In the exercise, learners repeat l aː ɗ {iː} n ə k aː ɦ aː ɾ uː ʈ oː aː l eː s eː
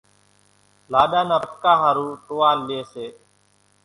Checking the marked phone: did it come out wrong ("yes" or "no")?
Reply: yes